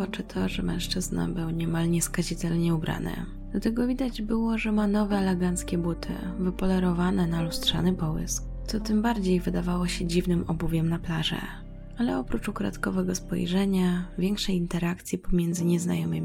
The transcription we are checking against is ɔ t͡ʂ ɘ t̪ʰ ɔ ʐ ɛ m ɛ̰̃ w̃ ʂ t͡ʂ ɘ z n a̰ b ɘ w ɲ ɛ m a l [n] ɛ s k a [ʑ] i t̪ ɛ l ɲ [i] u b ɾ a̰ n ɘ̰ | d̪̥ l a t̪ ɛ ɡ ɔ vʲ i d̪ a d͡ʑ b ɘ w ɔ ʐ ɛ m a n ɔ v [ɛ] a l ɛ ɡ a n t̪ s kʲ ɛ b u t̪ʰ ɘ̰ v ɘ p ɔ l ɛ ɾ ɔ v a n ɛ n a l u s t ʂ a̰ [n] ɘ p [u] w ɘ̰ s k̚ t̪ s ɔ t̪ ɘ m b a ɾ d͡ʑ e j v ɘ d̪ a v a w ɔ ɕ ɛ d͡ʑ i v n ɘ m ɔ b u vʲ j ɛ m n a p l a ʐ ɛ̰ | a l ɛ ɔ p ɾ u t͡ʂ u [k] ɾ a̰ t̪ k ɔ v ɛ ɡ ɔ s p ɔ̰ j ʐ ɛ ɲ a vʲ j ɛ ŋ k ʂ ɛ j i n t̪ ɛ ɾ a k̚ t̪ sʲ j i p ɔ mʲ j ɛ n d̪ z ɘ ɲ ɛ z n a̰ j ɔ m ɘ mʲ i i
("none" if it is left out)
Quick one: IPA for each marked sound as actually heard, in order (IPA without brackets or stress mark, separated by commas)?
ɲ, ʑ, ɛ, ɛ, n, ɔ, k